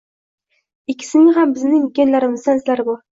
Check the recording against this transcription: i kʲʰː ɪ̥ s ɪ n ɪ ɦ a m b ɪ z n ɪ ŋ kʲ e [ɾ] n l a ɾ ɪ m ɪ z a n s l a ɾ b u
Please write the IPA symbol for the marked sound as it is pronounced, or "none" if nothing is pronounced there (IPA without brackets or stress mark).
none